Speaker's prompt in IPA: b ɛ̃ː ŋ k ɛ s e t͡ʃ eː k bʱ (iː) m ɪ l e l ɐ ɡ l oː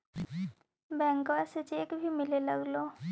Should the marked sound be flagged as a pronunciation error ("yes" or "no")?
yes